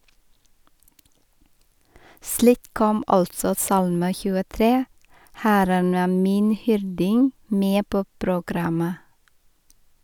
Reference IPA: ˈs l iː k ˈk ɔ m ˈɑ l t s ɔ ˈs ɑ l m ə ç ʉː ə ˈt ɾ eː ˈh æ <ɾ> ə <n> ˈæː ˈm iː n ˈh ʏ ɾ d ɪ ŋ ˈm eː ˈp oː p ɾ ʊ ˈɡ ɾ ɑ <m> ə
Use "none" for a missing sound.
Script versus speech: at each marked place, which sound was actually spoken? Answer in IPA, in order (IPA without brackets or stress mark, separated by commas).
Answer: ɾ, n, m